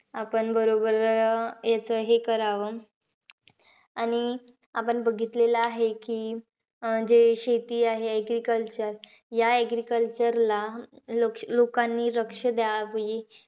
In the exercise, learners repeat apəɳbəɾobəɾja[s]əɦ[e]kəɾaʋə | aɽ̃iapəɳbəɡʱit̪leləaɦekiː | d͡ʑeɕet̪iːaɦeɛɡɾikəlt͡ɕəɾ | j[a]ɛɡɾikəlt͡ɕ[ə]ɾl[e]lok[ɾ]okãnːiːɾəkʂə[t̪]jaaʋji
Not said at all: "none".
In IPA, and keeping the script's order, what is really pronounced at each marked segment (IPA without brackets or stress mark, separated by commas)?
t͡s, e, a, ə, a, l, d̪